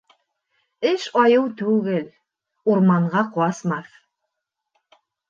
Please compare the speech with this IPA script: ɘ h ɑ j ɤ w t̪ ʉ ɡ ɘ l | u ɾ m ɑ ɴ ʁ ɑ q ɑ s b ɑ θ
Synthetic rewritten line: ɘ ʃ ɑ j ɤ w t̪ ʉ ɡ ɘ l | u ɾ m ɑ ɴ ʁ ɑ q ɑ s m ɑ θ